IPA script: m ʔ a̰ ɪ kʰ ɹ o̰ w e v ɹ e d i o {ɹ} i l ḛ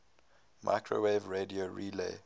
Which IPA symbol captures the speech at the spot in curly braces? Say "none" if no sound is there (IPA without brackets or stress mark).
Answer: ɹ